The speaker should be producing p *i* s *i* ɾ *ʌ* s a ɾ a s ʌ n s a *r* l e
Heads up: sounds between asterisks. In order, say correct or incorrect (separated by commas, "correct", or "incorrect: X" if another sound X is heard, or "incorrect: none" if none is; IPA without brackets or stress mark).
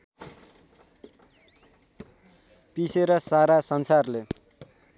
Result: correct, incorrect: e, correct, correct